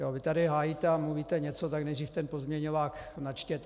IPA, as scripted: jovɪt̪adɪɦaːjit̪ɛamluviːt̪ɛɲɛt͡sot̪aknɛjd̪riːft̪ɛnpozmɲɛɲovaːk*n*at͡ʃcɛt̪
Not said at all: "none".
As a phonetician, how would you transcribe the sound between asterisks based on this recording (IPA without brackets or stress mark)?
n